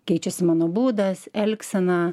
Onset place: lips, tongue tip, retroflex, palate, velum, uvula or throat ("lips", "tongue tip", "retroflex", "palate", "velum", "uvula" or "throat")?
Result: velum